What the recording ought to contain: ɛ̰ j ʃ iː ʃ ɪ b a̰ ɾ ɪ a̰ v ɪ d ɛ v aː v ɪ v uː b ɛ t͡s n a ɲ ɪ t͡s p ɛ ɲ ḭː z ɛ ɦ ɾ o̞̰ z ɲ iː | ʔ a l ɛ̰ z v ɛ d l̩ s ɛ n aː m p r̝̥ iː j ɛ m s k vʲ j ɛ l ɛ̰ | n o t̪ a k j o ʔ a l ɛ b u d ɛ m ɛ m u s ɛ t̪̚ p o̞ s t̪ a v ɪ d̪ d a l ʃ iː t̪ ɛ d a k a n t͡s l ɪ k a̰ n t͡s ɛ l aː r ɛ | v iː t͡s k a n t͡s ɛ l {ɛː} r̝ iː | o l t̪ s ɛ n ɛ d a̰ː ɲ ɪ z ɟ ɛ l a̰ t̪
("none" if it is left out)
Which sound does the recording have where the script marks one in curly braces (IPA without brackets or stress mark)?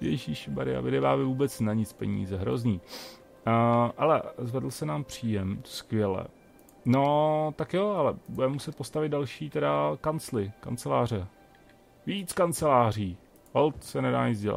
aː